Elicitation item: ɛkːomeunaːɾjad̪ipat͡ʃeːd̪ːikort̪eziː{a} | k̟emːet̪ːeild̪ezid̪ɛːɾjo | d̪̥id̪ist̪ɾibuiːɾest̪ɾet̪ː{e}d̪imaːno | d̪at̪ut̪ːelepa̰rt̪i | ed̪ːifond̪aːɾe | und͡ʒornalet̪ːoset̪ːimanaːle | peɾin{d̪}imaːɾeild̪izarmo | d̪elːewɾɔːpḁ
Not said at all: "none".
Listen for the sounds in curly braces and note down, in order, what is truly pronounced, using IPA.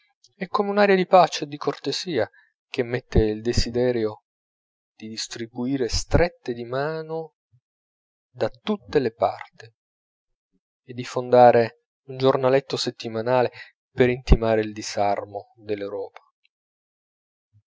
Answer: a, e, t̪

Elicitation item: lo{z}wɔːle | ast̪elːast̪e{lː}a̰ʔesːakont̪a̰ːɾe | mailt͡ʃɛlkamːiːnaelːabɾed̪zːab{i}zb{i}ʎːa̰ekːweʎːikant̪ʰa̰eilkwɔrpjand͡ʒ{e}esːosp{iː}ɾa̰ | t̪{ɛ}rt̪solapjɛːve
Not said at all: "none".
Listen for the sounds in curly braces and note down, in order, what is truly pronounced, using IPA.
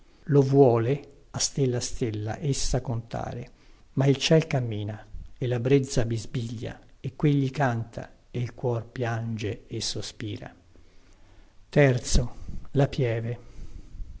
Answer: v, lː, i, i, e, iː, ɛ

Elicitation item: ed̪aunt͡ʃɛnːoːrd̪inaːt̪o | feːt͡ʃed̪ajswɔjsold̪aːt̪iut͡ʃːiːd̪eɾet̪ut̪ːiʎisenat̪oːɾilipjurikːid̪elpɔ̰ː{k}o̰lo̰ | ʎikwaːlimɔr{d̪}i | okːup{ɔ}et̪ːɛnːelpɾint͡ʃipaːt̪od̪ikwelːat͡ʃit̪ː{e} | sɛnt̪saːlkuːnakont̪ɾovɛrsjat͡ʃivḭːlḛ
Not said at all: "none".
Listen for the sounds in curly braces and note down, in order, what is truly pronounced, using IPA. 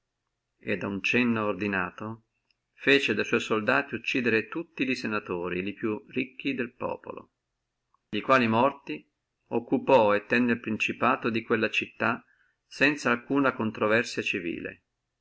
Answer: p, t̪, ɔ, a

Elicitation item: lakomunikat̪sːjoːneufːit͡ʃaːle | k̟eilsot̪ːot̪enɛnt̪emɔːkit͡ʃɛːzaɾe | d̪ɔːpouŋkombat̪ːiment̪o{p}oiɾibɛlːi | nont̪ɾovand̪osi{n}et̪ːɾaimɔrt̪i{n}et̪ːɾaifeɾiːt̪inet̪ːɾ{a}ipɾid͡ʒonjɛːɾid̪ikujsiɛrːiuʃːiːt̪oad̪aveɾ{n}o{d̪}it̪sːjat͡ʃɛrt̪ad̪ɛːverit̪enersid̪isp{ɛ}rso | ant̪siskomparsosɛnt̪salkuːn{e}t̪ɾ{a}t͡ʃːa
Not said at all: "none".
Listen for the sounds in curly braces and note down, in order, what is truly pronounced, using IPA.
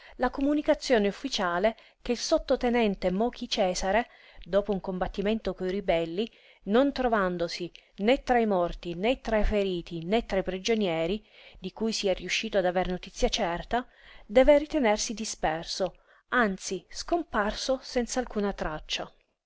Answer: k, n, n, a, n, t̪, ɛ, a, a

